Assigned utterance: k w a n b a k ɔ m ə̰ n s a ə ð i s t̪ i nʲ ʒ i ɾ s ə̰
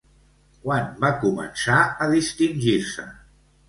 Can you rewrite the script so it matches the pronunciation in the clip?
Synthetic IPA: k w a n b a k u m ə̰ n s a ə ð i s t̪ i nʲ ʒ i ɾ s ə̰